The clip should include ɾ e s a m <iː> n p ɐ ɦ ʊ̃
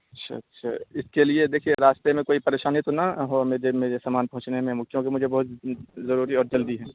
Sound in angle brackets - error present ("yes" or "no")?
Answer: yes